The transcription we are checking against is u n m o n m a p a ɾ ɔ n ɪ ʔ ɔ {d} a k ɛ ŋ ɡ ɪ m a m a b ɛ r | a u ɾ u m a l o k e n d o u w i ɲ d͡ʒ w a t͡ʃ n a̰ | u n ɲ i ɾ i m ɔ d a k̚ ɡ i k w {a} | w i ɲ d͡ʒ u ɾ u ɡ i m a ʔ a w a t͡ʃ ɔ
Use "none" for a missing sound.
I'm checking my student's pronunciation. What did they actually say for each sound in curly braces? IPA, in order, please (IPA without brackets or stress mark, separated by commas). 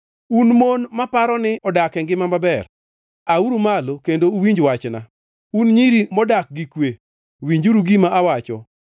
d, e